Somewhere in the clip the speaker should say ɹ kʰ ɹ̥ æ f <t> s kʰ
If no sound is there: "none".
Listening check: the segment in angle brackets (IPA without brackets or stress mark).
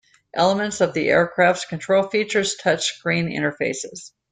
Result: t